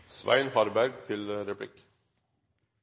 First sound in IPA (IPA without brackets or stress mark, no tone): s